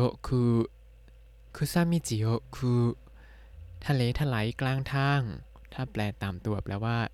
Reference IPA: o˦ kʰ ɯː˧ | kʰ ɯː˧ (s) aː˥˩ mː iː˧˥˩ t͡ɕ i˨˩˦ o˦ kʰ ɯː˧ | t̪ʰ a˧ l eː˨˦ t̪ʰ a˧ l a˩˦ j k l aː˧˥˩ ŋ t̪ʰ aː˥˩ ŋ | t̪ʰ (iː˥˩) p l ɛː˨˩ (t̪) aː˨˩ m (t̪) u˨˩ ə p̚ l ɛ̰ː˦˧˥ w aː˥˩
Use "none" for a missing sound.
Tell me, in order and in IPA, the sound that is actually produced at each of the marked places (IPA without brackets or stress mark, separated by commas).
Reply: s, aː˥˩, t̪, t̪